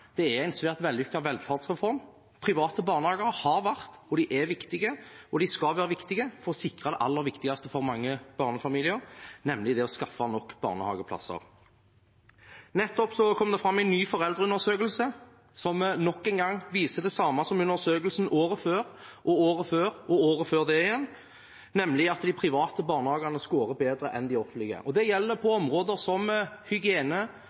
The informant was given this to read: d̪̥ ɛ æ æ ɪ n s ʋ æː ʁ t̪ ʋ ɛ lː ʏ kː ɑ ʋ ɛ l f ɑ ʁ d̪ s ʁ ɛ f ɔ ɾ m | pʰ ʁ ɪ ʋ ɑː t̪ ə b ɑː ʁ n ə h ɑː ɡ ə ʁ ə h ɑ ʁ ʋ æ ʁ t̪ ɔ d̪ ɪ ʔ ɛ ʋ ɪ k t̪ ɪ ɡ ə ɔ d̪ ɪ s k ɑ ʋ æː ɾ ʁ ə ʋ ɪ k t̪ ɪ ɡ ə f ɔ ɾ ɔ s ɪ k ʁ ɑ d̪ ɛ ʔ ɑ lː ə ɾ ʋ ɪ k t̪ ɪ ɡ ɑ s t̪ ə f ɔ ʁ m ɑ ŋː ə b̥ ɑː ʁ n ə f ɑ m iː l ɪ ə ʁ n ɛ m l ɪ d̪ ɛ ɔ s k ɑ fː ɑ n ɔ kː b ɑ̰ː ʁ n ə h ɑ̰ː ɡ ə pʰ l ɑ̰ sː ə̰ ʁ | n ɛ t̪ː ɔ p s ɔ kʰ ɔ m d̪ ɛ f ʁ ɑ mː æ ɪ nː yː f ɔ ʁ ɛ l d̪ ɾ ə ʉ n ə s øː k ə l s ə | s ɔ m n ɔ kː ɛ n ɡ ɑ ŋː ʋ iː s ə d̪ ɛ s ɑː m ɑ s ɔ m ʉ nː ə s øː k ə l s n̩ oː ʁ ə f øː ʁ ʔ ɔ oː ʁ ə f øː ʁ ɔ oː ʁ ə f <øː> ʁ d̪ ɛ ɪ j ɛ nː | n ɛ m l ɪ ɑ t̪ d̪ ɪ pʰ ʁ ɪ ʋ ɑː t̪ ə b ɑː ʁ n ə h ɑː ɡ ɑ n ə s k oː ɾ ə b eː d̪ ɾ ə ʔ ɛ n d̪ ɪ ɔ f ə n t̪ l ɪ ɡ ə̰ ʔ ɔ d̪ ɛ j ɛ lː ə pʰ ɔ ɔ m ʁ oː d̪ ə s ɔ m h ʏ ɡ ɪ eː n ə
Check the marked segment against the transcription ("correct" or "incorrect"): correct